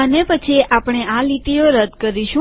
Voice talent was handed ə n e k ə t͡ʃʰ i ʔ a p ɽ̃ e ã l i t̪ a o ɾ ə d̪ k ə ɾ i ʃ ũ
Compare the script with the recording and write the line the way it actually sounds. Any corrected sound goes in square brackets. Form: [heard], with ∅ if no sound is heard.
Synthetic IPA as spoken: ə n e [p] ə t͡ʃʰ i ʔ a p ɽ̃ e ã l i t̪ [i] o ɾ ə d̪ k ə ɾ i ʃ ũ